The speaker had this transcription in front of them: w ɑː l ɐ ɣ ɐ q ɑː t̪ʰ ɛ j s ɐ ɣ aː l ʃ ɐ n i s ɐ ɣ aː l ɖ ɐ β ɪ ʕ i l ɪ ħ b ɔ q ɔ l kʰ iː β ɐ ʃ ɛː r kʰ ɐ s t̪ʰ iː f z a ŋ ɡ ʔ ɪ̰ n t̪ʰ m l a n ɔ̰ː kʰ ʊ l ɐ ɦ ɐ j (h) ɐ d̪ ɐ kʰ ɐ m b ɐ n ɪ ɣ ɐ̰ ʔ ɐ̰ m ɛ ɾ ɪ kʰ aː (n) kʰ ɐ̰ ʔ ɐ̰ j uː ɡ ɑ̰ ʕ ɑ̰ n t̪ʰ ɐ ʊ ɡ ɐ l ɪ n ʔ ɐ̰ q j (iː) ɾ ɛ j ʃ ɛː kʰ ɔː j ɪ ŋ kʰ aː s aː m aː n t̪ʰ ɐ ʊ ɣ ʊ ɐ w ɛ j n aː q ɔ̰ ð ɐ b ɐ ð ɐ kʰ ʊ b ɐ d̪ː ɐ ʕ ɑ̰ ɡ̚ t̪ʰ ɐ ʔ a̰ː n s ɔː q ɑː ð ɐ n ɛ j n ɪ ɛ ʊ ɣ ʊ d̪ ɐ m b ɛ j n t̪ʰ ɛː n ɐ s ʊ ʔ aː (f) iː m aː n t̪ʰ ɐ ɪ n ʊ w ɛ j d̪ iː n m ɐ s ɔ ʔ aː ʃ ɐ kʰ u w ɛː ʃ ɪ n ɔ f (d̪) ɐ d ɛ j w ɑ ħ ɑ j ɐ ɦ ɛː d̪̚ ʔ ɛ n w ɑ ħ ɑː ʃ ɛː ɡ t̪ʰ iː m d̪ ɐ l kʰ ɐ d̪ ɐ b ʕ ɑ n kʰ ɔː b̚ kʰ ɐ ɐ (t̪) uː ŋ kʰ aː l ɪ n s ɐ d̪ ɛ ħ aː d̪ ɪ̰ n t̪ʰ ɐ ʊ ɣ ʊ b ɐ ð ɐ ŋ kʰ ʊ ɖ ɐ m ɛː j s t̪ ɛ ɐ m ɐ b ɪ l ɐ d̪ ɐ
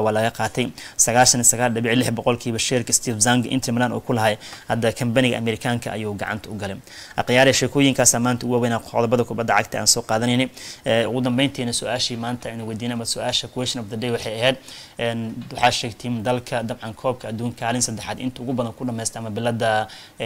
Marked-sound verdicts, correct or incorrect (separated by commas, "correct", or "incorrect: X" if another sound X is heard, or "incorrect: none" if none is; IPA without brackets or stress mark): correct, incorrect: ŋ, incorrect: aː, incorrect: ʃ, correct, incorrect: d̪